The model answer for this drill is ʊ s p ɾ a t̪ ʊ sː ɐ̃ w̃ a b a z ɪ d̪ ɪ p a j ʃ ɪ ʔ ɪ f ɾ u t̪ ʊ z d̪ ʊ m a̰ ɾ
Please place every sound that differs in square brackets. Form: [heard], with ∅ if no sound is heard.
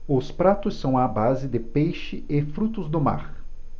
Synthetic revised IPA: ʊ s p ɾ a t̪ ʊ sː ɐ̃ w̃ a b a z ɪ d̪ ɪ p [e] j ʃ ɪ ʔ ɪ f ɾ u t̪ ʊ z d̪ ʊ m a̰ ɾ